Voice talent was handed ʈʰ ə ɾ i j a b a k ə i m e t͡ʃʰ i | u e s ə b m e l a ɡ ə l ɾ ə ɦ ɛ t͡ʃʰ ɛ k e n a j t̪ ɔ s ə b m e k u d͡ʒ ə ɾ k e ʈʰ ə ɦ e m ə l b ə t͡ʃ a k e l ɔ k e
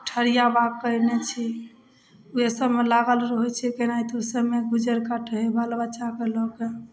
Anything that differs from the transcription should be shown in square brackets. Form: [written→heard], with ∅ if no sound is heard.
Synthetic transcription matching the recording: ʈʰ ə ɾ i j a b a k ə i [m→n] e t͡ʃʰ i | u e s ə b m e l a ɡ ə l ɾ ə ɦ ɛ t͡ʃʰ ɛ k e n a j t̪ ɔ s ə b m e [k→ɡ] u d͡ʒ ə ɾ k [e→a] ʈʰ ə ɦ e [m→b] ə l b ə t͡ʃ a k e l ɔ k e